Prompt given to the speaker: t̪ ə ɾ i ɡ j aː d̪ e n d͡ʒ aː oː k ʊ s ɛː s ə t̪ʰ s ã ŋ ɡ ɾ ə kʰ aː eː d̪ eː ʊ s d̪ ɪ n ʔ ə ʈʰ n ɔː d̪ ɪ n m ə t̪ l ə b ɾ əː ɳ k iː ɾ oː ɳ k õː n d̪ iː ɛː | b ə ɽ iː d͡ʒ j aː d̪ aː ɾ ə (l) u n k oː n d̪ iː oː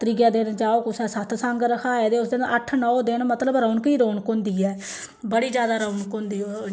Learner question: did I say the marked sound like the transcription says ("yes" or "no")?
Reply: no